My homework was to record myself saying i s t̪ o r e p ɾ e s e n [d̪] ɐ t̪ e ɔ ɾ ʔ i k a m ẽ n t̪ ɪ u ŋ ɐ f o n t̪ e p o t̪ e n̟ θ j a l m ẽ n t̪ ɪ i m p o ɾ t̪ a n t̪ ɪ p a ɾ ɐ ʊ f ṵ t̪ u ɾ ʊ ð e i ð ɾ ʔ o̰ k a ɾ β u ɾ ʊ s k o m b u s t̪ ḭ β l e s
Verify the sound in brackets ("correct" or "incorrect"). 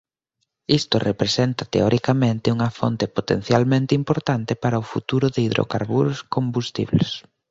incorrect